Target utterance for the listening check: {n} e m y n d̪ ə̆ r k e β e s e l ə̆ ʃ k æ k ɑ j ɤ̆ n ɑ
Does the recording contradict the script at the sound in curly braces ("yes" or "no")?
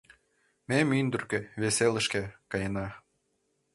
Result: yes